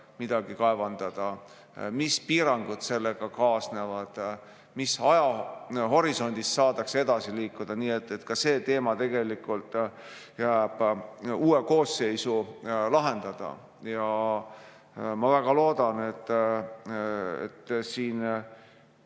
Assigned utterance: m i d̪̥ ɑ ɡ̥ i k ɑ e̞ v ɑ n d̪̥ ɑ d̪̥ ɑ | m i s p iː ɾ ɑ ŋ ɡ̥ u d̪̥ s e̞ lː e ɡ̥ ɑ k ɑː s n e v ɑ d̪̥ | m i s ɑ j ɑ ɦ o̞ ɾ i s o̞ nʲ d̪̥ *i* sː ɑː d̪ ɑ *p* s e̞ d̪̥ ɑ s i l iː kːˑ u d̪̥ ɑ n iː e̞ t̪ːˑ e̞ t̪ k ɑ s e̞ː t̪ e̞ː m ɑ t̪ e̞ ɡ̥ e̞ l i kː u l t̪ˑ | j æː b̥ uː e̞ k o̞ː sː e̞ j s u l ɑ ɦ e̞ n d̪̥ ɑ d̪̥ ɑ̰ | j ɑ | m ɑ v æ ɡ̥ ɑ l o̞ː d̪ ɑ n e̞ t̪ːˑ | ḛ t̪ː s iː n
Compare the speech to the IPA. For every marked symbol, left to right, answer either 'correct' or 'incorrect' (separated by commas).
correct, incorrect